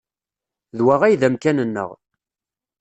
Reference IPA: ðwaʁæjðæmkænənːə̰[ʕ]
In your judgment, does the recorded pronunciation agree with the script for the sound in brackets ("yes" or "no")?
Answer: no